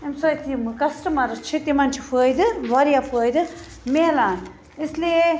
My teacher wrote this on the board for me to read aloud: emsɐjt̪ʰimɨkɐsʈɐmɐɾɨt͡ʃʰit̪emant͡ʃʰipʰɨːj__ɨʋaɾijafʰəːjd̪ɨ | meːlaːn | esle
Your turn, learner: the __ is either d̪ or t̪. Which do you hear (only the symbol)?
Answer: d̪